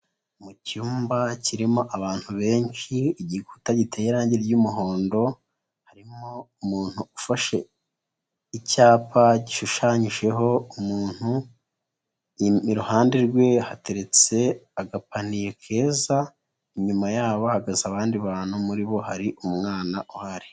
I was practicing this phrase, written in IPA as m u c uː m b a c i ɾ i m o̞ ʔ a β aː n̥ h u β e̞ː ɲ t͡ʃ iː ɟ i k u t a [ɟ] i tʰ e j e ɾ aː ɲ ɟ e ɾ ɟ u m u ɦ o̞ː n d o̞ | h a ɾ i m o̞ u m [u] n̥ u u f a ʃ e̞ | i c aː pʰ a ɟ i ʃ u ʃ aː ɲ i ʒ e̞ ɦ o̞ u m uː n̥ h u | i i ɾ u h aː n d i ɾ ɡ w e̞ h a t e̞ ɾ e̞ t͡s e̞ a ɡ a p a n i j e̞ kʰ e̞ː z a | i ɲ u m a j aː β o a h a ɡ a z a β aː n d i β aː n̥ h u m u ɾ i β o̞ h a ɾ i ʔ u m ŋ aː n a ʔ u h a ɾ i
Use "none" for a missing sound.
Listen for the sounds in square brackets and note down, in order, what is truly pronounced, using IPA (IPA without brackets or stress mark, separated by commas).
ɟ, uː